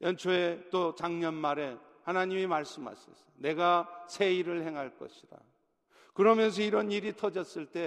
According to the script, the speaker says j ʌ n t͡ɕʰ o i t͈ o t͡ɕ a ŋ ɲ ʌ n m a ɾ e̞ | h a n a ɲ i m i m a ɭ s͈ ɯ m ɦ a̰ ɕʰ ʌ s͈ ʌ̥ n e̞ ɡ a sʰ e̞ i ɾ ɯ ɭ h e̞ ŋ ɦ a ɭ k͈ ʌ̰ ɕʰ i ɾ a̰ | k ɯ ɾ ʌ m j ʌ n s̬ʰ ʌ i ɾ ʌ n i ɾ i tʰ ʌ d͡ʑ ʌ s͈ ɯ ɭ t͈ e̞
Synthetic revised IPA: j ʌ n t͡ɕʰ o e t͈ o t͡ɕ a ŋ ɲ ʌ n m a ɾ e̞ | h a n a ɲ i m i m a ɭ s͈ ɯ m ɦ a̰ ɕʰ ʌ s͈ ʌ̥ n e̞ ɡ a sʰ e̞ i ɾ ɯ ɭ h e̞ ŋ ɦ a ɭ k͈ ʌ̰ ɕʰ i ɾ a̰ | k ɯ ɾ ʌ m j ʌ n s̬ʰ ʌ i ɾ ʌ n i ɾ i tʰ ʌ d͡ʑ ʌ s͈ ɯ ɭ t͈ e̞